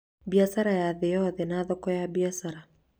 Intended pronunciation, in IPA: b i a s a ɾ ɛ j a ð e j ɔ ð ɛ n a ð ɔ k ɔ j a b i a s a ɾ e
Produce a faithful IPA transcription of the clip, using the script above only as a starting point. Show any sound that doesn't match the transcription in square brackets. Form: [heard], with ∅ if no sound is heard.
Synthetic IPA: b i a s a ɾ [a] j a ð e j ɔ ð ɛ n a ð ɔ k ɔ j a b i a s a ɾ [a]